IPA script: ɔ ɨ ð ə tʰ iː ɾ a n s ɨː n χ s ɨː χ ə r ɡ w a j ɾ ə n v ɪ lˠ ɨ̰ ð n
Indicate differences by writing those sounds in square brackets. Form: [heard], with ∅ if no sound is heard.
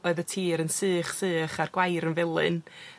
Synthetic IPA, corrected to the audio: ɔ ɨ ð ə tʰ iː ɾ [ə] n s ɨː [∅] χ s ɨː χ [a] r ɡ w a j ɾ ə n v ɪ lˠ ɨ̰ [∅] n